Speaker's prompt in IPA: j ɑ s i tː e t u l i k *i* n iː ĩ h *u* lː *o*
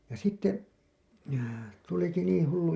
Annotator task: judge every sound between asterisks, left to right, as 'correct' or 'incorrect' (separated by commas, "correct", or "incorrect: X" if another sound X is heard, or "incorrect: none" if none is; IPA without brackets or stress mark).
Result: correct, correct, incorrect: u